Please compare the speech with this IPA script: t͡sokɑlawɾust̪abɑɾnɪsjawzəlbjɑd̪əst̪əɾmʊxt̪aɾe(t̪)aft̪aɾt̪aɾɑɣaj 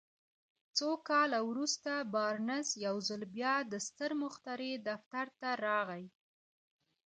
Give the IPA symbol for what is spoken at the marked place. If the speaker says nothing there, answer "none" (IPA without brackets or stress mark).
d̪